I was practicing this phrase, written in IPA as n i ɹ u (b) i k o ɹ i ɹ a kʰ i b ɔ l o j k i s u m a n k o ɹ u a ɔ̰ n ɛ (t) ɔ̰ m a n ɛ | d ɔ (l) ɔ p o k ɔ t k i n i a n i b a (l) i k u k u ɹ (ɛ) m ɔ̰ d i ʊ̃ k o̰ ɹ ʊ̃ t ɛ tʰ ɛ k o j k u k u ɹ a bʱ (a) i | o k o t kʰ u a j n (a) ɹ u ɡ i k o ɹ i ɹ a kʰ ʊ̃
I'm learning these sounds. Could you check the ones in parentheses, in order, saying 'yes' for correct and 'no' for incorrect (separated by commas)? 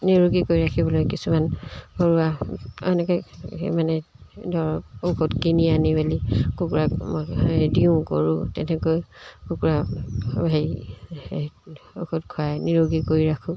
no, no, no, yes, no, yes, no